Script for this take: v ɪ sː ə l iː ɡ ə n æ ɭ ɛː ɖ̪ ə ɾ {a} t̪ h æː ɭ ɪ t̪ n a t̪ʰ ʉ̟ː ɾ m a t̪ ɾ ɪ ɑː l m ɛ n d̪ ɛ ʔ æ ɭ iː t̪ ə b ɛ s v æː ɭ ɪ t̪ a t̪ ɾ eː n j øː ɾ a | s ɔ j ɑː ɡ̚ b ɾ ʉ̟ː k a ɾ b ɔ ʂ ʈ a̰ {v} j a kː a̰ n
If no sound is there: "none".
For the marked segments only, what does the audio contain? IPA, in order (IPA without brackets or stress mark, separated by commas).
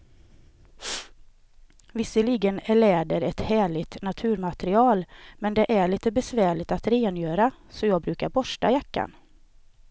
ɛ, none